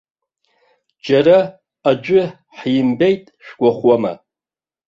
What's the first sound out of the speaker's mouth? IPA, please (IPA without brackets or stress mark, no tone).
d͡ʒ